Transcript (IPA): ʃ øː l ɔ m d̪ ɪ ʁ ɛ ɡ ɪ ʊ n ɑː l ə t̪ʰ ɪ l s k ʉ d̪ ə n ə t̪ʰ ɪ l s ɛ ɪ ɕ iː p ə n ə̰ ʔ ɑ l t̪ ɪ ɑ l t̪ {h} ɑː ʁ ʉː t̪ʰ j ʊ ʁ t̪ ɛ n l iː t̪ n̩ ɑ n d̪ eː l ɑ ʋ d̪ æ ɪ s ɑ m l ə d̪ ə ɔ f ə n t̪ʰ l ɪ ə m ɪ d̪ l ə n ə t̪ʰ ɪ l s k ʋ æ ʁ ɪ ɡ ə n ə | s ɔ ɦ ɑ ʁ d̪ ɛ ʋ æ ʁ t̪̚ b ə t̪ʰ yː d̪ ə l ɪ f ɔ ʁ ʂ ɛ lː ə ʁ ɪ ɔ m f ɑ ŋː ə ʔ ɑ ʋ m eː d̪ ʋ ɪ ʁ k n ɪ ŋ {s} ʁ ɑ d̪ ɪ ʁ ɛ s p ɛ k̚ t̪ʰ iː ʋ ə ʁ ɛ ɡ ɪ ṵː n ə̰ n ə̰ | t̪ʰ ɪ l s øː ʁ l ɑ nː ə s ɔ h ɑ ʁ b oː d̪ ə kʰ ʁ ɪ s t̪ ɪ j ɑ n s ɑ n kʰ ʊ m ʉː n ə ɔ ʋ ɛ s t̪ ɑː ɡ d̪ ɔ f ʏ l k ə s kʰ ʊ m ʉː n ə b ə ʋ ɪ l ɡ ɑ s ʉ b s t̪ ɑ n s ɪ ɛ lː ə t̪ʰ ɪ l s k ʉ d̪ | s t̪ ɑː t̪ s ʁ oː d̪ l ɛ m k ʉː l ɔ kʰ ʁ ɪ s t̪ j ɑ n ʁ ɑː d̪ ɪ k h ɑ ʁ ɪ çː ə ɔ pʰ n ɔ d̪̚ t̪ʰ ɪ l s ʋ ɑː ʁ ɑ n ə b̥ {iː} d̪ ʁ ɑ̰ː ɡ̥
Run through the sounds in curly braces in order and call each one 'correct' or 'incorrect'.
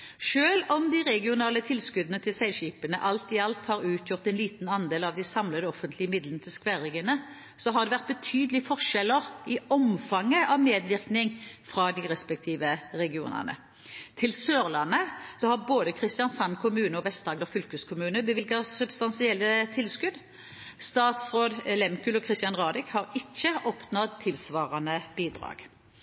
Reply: correct, incorrect: f, correct

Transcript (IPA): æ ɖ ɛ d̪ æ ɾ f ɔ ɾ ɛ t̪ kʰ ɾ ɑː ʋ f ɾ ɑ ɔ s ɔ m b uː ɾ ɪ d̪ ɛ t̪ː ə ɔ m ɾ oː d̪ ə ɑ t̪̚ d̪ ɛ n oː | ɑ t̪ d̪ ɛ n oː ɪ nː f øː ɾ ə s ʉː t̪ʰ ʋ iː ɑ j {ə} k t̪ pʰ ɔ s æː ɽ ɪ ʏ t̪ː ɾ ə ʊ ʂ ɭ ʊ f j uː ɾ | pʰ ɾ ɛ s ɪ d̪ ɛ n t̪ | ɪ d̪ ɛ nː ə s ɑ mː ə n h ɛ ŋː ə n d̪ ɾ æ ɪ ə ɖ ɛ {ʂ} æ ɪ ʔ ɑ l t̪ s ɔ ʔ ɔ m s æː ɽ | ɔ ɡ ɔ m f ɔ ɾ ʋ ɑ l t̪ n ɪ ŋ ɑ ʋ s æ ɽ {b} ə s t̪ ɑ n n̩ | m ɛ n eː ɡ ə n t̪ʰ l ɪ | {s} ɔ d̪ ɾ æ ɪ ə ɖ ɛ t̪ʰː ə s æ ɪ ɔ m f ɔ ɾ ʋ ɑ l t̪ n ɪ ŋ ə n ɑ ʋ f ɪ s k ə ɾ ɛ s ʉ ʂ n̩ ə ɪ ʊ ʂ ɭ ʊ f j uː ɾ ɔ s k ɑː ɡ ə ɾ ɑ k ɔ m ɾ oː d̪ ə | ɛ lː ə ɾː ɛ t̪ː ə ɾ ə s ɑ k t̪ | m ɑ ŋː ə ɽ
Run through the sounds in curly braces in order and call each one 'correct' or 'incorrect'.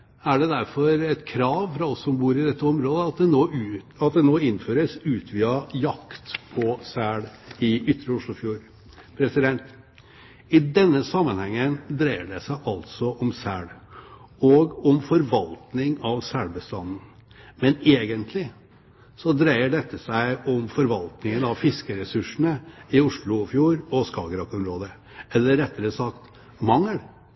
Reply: incorrect: ɑ, incorrect: s, correct, correct

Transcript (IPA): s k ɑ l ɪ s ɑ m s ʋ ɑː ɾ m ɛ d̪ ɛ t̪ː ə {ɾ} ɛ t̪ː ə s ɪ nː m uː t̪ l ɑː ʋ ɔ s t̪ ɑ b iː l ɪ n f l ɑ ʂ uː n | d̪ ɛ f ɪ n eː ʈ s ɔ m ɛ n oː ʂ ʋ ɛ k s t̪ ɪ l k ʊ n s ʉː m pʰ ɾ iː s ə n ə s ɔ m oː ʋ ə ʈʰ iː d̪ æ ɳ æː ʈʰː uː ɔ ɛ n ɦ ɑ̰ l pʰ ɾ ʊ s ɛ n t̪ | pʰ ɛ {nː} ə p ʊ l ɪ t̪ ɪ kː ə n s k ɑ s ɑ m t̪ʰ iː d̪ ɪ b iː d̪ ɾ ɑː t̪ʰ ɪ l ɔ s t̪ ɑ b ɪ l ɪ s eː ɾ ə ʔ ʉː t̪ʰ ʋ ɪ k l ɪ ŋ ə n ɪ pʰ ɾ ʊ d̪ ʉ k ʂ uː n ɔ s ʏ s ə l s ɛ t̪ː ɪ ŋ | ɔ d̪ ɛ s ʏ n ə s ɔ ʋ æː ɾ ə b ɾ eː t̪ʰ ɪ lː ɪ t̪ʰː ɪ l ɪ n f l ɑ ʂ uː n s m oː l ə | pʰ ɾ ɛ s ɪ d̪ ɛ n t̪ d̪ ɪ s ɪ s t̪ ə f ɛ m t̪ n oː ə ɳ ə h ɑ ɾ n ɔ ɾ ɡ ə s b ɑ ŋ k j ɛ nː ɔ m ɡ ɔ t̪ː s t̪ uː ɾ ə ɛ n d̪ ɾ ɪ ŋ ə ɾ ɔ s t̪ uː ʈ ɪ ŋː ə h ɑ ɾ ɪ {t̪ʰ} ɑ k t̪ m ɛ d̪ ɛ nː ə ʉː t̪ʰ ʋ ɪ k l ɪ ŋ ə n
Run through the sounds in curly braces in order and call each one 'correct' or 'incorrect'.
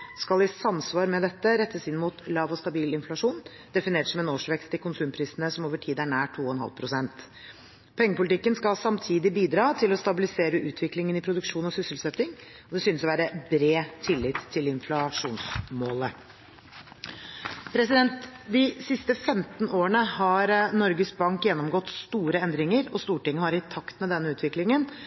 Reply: correct, incorrect: ŋː, correct

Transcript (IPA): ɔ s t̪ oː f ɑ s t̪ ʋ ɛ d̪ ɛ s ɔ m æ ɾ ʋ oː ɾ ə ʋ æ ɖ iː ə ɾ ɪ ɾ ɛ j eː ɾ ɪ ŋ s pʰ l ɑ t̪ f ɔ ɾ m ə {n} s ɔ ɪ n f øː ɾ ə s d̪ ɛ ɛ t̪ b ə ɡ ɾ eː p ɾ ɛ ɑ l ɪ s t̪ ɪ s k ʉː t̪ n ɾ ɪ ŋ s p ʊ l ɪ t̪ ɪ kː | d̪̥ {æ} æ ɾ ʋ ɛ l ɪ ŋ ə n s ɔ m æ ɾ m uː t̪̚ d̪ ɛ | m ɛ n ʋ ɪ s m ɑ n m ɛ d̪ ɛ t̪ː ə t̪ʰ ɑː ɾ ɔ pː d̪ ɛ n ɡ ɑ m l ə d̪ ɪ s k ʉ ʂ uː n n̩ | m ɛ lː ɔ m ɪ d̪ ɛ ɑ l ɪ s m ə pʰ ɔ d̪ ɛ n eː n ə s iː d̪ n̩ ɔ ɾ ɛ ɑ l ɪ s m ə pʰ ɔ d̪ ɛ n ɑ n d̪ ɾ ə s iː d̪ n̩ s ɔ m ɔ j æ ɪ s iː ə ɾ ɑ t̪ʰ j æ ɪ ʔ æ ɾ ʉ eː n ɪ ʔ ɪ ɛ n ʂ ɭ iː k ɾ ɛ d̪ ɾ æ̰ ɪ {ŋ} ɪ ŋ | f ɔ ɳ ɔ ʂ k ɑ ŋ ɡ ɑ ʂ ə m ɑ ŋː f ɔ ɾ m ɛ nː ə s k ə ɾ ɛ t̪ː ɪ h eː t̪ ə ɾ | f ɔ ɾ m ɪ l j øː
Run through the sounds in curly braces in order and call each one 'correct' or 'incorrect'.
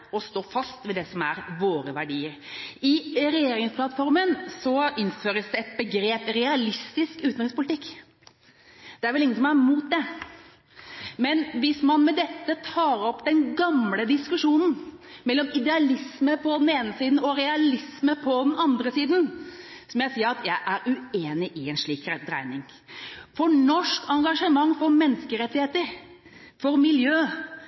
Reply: correct, incorrect: ɛ, incorrect: n

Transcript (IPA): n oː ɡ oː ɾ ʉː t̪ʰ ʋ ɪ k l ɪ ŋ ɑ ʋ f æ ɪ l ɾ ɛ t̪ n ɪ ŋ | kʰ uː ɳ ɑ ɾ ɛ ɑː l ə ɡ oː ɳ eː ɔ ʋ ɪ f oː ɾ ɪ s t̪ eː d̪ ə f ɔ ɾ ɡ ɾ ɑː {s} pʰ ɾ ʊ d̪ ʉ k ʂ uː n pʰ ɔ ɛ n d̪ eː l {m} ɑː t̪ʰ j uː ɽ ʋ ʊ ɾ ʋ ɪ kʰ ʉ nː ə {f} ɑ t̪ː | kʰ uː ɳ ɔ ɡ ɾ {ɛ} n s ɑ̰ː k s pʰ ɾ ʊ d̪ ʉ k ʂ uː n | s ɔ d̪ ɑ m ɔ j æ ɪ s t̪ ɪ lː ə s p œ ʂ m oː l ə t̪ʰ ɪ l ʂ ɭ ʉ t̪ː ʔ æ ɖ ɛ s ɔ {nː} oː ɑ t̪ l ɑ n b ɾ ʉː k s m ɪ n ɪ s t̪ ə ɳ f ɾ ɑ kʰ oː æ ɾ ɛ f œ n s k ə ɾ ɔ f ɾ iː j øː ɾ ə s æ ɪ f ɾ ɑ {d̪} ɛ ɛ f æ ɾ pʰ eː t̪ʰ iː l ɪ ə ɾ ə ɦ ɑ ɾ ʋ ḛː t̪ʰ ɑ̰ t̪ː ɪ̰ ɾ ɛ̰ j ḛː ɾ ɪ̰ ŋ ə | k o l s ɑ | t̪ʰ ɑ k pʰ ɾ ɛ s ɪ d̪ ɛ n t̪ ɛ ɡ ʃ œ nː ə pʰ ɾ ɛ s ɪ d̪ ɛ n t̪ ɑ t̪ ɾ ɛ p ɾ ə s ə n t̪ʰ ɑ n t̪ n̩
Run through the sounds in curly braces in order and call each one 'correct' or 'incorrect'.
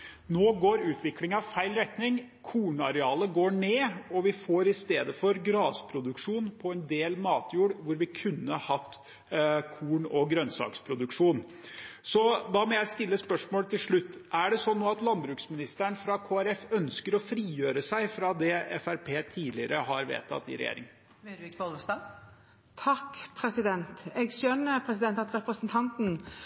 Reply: correct, correct, incorrect: h, incorrect: œ, correct, correct

